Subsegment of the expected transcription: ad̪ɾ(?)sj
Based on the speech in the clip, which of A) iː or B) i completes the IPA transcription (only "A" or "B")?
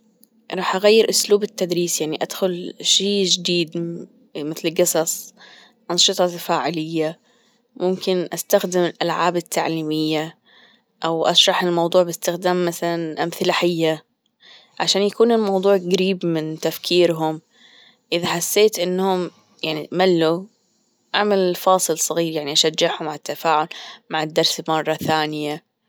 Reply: A